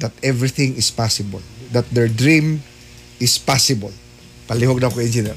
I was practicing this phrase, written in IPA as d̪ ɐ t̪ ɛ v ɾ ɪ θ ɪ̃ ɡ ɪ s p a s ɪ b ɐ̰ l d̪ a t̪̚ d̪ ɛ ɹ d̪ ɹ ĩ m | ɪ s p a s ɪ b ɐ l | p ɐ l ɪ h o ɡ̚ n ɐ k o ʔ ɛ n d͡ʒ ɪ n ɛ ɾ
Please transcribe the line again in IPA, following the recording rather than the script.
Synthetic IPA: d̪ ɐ t̪ ɛ v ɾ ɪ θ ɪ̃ ŋ ɪ s p a s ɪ b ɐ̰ l d̪ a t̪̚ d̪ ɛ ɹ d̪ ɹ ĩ m | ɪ s p a s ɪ b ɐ l | p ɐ l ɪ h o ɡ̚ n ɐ k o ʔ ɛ n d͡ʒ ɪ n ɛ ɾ